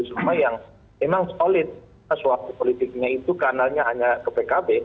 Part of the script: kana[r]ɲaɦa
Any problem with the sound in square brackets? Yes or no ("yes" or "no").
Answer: yes